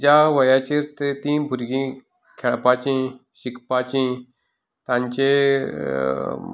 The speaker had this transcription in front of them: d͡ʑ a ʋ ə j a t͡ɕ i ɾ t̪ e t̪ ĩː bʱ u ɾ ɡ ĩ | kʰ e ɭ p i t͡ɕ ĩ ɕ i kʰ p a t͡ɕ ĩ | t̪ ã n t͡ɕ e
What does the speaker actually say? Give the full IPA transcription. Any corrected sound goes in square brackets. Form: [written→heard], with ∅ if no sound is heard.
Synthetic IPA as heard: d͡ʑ a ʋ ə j a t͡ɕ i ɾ t̪ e t̪ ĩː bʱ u ɾ ɡ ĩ | kʰ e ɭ p [i→a] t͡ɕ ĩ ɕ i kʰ p a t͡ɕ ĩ | t̪ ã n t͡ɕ e